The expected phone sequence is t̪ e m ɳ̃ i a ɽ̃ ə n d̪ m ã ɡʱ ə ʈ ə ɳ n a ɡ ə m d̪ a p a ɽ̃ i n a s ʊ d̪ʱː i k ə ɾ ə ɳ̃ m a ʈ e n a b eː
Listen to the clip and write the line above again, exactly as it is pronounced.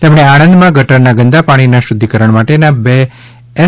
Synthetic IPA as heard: t̪ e m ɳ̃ e a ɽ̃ ə n d̪ m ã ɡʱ ə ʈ ə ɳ n a ɡ ə n d̪ a p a ɽ̃ i n a ʃ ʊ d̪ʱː i k ə ɾ ə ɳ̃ m a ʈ e n a b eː